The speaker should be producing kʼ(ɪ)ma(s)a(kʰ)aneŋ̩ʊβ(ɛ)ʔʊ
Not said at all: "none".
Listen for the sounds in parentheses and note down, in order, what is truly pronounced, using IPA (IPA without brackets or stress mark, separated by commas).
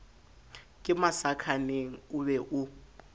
ɪ, s, kʰ, ɛ